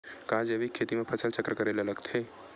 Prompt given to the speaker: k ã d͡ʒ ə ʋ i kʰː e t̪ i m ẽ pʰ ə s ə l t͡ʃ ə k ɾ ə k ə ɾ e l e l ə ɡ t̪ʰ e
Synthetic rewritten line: k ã d͡ʒ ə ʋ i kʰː e t̪ i m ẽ pʰ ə s ə l t͡ʃ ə k ɾ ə k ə ɾ e l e l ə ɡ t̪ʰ e